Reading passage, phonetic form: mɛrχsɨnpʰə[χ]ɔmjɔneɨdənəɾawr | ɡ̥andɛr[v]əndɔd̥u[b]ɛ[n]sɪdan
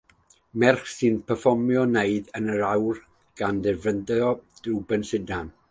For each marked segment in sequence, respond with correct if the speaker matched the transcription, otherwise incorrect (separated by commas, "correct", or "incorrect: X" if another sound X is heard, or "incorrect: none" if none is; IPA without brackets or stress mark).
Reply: incorrect: f, correct, correct, correct